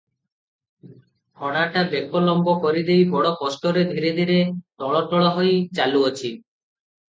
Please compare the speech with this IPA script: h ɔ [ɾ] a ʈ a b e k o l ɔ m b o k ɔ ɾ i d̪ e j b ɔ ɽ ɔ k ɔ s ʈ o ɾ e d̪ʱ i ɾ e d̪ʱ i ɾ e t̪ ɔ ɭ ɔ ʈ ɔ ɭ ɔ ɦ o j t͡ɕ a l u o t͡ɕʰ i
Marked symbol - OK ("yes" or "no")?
no